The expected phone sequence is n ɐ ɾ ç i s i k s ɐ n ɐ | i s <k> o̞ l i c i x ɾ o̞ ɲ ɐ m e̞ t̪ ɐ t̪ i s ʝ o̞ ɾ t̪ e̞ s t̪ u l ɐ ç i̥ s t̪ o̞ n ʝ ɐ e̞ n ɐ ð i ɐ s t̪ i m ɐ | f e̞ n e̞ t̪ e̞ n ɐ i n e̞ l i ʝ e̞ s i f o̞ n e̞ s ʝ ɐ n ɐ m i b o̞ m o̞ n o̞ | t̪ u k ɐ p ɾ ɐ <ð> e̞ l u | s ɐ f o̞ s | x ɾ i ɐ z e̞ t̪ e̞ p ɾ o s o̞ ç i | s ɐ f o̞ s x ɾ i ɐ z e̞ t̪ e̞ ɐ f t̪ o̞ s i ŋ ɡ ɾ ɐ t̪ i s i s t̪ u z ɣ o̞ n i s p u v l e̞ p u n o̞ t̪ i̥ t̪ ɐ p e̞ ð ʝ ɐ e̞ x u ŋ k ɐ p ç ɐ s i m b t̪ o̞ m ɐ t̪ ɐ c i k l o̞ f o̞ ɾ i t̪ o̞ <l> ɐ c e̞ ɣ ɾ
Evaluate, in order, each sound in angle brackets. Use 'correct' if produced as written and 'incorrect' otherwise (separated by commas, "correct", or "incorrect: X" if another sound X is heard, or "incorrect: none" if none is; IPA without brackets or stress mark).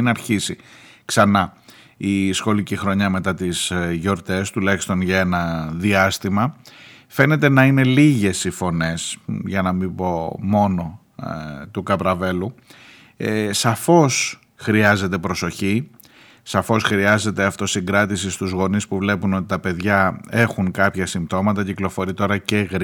incorrect: x, incorrect: v, incorrect: ɾ